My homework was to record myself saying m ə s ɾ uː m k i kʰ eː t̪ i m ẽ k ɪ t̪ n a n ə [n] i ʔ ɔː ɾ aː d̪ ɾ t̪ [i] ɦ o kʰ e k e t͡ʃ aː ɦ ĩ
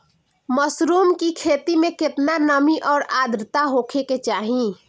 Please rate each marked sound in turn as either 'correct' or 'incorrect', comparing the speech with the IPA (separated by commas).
incorrect, incorrect